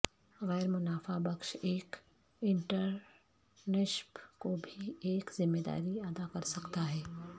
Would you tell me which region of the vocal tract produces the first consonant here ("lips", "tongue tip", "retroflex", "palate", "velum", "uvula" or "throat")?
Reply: velum